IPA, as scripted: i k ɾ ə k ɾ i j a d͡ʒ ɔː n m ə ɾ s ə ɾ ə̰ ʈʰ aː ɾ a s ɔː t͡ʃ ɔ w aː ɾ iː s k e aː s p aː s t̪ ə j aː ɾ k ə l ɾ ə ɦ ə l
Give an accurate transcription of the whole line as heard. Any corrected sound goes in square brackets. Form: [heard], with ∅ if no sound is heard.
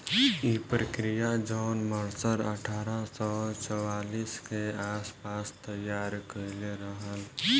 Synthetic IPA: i [p] ɾ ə k ɾ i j a d͡ʒ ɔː n m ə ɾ s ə ɾ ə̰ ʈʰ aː ɾ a s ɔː t͡ʃ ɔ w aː [l] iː s k e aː s p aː s t̪ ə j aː ɾ k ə l ɾ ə ɦ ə l